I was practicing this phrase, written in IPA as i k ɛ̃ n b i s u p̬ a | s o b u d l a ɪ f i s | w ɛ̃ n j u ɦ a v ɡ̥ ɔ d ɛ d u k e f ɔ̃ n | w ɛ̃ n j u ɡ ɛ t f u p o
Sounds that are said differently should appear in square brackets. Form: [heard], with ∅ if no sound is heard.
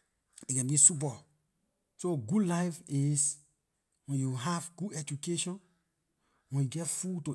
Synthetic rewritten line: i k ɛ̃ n b i s u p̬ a | s o [ɡ] u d l a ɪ f i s | w ɛ̃ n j u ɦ a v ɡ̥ [u] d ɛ [d͡ʒ] u k e [ʃ] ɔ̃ n | w ɛ̃ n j u ɡ ɛ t f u [t] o